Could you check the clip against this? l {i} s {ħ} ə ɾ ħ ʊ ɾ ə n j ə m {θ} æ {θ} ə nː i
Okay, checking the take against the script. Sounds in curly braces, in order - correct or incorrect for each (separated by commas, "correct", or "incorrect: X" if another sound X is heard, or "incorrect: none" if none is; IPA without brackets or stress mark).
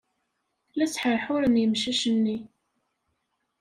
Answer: incorrect: æ, correct, incorrect: ʃ, incorrect: ʃ